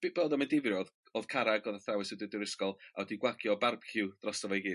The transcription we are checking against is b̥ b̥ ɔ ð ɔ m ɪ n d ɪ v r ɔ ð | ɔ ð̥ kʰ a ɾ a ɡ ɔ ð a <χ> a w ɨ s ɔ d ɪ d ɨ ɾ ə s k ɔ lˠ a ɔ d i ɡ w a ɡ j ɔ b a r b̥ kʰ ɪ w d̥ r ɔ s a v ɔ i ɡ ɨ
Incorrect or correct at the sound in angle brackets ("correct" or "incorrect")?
incorrect